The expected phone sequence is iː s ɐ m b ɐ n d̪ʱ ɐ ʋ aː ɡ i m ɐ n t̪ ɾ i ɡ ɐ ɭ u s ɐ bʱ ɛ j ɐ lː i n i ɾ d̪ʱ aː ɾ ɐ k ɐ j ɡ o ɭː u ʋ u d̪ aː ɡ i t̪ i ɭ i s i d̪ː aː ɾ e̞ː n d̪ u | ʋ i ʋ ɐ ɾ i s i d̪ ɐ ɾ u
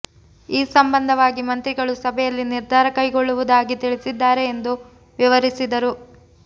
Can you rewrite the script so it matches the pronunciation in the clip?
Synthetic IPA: iː s ɐ m b ɐ n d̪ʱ ɐ ʋ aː ɡ i m ɐ n t̪ ɾ i ɡ ɐ ɭ u s ɐ bʱ ɛ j ɐ lː i n i ɾ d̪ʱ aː ɾ ɐ k ɐ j ɡ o ɭː u ʋ u d̪ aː ɡ i t̪ i ɭ i s i d̪ː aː ɾ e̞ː n d̪ u | ʋ i ʋ ɐ ɾ i s i d̪ ɐ ɾ u